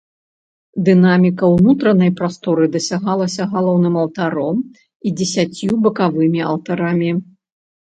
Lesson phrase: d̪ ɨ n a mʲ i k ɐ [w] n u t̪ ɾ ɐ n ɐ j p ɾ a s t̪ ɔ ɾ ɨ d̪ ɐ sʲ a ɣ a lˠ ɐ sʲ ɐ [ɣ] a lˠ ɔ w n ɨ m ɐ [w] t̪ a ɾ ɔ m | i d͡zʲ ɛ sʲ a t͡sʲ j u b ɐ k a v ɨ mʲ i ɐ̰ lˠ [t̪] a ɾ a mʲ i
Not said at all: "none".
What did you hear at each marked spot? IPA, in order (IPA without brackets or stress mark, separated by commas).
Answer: w, ɣ, w, t̪